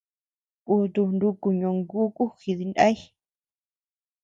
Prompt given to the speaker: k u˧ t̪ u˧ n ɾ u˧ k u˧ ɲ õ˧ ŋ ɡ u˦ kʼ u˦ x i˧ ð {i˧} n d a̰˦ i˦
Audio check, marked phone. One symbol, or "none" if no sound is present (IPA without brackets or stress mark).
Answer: i˧